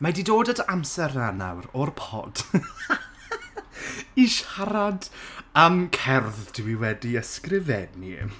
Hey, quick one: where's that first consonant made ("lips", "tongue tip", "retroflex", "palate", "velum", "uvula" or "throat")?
lips